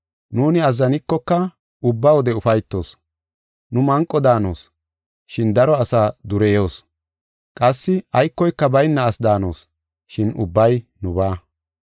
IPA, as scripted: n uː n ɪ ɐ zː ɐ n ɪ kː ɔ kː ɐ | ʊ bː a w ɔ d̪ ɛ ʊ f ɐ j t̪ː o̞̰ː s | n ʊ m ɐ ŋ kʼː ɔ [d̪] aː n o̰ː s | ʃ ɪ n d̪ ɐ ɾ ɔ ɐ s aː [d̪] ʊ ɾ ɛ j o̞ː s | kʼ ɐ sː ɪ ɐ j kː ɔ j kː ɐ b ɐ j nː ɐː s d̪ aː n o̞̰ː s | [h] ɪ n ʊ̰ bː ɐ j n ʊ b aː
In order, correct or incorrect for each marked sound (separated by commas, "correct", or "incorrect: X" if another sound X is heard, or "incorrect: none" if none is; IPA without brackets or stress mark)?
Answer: correct, correct, incorrect: ʃ